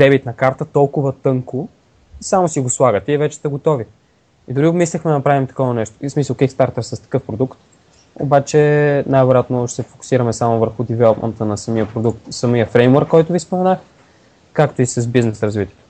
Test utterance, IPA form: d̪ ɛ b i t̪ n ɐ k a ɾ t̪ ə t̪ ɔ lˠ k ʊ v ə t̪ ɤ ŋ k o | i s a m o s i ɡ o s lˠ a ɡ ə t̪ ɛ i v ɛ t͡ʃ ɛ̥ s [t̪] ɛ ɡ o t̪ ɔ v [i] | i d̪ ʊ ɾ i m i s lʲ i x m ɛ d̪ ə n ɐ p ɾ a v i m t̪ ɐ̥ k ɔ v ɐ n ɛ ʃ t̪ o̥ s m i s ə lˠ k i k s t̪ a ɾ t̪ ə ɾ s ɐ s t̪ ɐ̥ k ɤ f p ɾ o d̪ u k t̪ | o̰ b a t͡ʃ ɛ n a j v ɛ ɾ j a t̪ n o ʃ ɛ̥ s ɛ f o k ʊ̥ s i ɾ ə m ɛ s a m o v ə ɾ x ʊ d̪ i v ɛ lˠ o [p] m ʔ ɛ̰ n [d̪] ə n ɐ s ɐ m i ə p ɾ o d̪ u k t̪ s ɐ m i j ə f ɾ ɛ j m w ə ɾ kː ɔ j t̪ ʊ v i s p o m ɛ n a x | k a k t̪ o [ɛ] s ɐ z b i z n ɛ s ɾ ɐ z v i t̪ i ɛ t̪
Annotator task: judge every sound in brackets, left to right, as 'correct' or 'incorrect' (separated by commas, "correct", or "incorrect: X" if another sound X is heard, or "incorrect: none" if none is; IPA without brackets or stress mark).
correct, correct, correct, incorrect: t̪, incorrect: i